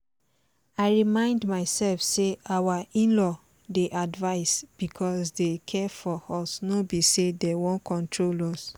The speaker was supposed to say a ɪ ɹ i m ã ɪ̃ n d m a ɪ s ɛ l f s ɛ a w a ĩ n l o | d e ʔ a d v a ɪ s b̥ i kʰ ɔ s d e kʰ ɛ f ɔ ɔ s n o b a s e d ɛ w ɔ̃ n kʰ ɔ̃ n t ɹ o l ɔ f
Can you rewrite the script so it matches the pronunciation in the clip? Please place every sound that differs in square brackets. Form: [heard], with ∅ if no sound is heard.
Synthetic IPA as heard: a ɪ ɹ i m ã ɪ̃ n d m a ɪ s ɛ l f s [e] a w a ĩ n l [ɔ] | d e ʔ a d v a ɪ s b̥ i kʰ ɔ s d e kʰ ɛ f ɔ ɔ s n o b [i] s e d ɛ w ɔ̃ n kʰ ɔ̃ n t ɹ o l ɔ [s]